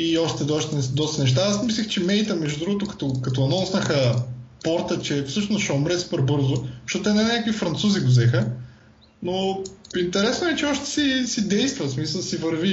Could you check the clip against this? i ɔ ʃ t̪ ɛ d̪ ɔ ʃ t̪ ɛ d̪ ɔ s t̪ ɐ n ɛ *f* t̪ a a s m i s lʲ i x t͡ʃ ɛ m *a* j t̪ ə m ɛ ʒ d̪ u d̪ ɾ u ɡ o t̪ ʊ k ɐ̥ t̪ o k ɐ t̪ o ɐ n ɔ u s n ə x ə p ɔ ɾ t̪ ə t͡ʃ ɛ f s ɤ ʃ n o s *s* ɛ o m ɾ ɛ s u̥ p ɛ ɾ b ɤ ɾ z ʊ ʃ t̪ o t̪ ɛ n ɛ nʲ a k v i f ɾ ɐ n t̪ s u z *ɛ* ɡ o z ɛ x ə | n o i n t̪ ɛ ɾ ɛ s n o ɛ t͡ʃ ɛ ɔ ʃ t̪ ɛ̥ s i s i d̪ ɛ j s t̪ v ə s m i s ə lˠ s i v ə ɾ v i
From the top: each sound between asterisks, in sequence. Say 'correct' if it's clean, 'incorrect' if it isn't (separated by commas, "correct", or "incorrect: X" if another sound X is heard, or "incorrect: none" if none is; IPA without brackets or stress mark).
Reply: incorrect: ʃ, incorrect: ɛ, incorrect: ʃ, incorrect: i